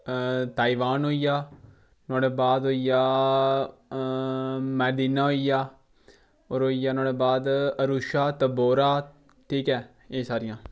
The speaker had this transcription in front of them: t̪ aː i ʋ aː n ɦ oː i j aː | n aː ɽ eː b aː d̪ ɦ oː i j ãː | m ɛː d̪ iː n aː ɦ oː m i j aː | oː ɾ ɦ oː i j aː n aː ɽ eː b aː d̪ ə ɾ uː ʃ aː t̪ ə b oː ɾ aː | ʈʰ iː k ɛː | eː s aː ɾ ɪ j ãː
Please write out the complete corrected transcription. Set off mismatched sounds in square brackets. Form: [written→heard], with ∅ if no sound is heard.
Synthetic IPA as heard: t̪ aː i ʋ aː n ɦ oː i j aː | n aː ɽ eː b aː d̪ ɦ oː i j [ãː→aː] | m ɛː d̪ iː n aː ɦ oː [m→∅] i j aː | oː ɾ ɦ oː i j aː n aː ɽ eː b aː d̪ ə ɾ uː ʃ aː t̪ ə b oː ɾ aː | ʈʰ iː k ɛː | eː s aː ɾ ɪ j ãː